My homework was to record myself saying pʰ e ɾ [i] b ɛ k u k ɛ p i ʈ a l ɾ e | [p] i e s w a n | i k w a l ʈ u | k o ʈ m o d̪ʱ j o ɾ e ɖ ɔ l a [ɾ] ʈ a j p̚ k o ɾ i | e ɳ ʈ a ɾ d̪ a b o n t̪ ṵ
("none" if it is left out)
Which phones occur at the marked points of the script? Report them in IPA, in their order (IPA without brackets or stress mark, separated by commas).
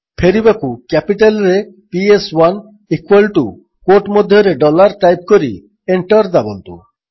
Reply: i, p, ɾ